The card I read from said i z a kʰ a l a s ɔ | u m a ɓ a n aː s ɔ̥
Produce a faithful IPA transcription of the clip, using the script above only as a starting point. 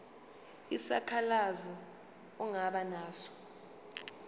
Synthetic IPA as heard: i s a kʰ a l a z ɔ | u ŋ a ɓ a n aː s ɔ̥